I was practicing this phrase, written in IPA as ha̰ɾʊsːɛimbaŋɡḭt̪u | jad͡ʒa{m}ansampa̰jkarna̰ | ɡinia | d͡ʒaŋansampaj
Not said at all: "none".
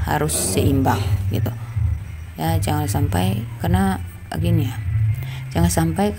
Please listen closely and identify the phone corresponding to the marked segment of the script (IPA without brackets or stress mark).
ŋ